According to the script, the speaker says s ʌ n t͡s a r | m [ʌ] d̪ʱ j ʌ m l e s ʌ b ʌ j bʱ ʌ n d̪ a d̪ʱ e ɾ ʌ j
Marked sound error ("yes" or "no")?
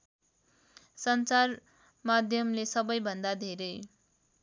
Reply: yes